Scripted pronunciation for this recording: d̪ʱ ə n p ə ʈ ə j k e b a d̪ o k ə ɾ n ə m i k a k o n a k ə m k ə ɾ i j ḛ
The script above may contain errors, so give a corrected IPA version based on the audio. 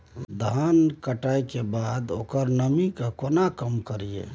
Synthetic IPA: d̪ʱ a n k ə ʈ a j k e b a d̪ o k ə ɾ n ə m i k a k o n a k ə m k ə ɾ i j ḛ